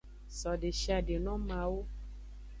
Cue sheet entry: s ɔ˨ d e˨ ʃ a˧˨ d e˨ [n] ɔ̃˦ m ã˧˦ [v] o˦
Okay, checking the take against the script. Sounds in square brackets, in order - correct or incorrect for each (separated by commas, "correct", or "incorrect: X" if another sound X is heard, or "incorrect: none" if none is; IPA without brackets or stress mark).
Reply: correct, incorrect: w